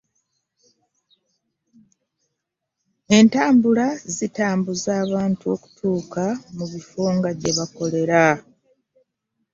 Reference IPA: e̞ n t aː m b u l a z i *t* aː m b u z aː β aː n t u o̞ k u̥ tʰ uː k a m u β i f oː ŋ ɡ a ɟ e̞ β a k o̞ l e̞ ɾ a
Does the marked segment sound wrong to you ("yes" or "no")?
no